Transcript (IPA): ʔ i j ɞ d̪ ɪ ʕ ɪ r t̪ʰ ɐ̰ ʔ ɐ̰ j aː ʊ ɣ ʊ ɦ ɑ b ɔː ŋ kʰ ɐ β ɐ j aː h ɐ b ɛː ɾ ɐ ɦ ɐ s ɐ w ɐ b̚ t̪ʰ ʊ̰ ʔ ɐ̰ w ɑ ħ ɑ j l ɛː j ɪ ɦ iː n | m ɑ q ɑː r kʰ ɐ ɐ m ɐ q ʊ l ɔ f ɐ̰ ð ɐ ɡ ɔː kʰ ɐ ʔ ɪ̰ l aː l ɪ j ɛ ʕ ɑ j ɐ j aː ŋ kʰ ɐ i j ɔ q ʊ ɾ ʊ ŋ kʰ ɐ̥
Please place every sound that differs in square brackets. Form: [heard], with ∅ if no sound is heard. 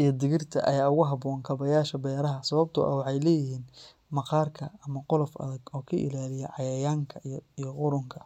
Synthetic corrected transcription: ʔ i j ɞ d̪ ɪ [ɣ] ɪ r t̪ʰ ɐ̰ ʔ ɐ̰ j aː ʊ ɣ ʊ ɦ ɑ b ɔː ŋ kʰ ɐ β ɐ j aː [ʃ] ɐ b ɛː ɾ ɐ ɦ ɐ s ɐ [β] ɐ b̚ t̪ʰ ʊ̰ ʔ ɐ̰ w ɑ ħ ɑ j l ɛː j ɪ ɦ iː n | m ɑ q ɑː r kʰ ɐ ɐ m ɐ q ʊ l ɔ f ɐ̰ ð ɐ ɡ ɔː kʰ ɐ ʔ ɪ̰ l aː l ɪ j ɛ ʕ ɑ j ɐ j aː ŋ kʰ ɐ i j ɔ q ʊ ɾ ʊ ŋ kʰ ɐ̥